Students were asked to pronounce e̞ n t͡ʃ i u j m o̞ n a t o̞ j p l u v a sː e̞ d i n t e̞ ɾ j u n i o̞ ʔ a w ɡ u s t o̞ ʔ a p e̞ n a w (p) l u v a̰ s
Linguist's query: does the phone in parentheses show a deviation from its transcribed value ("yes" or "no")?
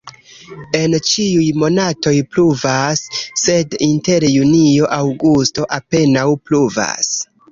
no